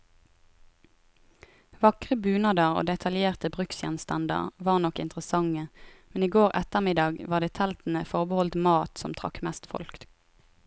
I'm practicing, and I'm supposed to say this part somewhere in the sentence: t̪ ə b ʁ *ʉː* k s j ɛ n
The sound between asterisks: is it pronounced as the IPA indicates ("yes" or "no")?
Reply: no